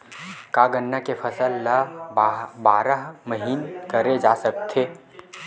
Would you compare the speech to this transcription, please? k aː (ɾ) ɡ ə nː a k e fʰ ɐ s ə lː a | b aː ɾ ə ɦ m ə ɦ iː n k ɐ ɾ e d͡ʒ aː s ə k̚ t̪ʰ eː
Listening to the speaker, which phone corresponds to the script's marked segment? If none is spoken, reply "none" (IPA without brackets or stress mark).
none